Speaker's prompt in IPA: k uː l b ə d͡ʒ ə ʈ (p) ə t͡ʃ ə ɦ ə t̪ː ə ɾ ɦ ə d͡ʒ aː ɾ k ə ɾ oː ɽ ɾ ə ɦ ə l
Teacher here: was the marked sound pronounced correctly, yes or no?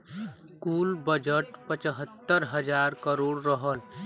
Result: yes